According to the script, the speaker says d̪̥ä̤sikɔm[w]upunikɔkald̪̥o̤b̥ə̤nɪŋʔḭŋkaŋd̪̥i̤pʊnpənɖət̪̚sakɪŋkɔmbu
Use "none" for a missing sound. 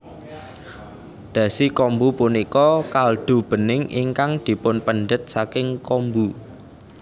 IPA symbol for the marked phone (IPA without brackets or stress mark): b